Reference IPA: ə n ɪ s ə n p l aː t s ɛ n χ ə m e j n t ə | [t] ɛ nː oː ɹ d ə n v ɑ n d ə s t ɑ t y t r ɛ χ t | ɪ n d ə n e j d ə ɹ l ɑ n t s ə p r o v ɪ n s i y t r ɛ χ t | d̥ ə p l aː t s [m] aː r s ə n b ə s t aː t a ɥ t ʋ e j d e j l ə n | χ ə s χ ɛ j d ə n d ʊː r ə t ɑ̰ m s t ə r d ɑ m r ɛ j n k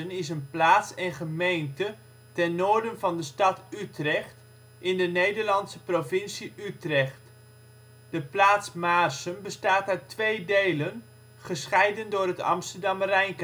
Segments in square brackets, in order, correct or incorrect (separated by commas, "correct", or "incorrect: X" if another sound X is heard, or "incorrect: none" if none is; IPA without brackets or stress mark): correct, correct